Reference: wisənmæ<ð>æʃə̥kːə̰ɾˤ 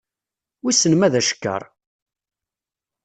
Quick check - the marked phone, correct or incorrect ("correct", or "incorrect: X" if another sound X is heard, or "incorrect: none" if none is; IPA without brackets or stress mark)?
correct